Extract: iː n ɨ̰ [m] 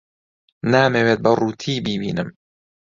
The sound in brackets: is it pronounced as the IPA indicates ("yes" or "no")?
yes